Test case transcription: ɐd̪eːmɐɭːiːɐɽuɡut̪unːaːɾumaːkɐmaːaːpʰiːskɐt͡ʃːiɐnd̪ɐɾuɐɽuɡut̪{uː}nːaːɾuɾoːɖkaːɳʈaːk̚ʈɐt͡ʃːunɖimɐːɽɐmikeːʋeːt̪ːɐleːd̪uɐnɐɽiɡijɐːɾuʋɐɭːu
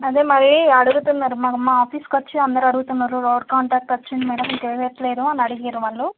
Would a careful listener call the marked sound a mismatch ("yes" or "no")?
yes